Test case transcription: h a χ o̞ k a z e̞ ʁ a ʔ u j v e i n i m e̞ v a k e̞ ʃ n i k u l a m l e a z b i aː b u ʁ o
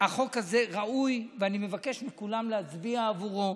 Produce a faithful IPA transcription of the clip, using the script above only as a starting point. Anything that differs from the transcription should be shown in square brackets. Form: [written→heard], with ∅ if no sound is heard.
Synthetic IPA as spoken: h a χ o̞ k a z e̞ ʁ a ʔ u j v e [i→a] n i m e̞ v a k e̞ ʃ [n→m] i k u l a m l e a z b i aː [b→v] u ʁ o

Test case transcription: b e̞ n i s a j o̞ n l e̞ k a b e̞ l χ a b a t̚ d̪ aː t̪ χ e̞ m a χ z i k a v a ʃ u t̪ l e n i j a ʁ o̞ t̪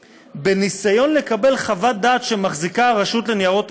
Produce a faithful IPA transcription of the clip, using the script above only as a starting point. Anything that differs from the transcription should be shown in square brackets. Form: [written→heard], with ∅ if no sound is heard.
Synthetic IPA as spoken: b e̞ n i s a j o̞ n l e̞ k a b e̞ l χ a [b→v] a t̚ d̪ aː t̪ [χ→ʃ] e̞ m a χ z i k a [v→ʁ] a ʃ u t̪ l e n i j a ʁ o̞ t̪

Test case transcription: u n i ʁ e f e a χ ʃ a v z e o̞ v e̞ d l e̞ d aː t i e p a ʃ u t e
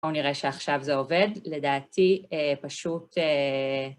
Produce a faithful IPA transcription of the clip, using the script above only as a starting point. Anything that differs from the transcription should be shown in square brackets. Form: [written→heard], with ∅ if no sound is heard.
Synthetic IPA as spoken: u n i ʁ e [f→ʃ] e a χ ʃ a v z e o̞ v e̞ d l e̞ d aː t i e p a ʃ u t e

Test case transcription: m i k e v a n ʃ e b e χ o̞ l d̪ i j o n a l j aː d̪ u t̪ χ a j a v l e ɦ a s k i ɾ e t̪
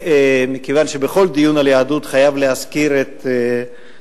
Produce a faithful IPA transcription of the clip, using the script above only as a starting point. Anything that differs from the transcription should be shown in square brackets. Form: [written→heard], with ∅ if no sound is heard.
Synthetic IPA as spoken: m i k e v a n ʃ e b e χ o̞ l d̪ i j [o→u] n a l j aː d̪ u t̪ χ a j a v l e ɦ a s k i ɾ e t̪

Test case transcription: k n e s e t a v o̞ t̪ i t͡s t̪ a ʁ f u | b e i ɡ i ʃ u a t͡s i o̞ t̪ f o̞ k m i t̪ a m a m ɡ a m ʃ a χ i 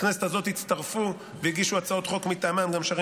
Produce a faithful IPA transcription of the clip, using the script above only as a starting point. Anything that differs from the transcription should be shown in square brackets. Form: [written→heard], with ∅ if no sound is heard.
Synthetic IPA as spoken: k n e s e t a [v→z] o̞ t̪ i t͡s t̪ a ʁ f u | [b→v] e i ɡ i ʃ u a t͡s [i→a] o̞ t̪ [f→χ] o̞ k m i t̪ a m a m ɡ a m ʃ a [χ→ʁ] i

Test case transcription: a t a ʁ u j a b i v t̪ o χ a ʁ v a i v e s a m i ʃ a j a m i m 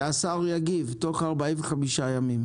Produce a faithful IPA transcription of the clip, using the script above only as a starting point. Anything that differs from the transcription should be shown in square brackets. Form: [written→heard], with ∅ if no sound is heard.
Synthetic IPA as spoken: a [t→s] a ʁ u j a [b→ɡ] i v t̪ o χ a ʁ [v→b] a i v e [s→χ] a m i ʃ a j a m i m

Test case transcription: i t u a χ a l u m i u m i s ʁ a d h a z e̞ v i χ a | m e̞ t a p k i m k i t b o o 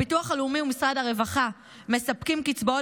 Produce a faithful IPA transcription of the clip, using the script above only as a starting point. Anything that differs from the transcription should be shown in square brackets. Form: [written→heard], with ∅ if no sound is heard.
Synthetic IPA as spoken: i t u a χ a l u m i u m i s ʁ a d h a [z→ʁ] e̞ v [i→a] χ a | m e̞ [t→s] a p k i m k i [t→t͡s] b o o

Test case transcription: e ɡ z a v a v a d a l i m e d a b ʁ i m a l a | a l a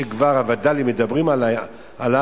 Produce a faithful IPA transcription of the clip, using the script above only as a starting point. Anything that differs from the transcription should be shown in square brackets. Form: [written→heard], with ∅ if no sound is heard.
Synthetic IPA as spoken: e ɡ [z→v] a [v→ʁ] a v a d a l i m e d a b ʁ i m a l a | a l a

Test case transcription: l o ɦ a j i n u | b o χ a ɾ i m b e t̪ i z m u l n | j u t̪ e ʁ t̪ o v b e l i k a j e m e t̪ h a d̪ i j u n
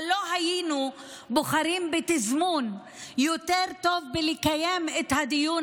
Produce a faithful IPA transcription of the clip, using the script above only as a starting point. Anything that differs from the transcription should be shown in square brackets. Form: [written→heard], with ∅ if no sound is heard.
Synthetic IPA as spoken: l o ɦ a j i n u | b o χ a ɾ i m b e t̪ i z m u [l→∅] n | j [u→o] t̪ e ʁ t̪ o v b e l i k a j e m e t̪ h a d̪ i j u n

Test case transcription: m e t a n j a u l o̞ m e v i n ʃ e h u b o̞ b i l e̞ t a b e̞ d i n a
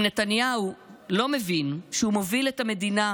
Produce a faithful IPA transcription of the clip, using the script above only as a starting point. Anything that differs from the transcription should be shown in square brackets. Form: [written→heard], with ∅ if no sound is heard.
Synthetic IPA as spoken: [m→n] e t a n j a u l o̞ m e v i n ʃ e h u [b→m] o̞ [b→v] i l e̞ t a [b→m] e̞ d i n a

